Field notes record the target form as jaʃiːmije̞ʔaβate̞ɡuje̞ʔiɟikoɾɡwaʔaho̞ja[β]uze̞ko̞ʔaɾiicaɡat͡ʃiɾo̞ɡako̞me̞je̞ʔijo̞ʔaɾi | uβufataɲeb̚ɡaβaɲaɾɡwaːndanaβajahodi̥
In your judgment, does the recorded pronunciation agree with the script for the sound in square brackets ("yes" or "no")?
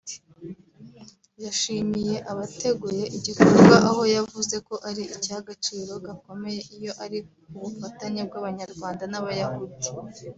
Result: no